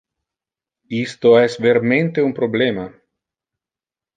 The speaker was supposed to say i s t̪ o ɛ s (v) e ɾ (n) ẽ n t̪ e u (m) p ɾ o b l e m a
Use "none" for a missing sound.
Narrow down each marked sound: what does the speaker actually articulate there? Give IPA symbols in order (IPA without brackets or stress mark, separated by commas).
v, m, m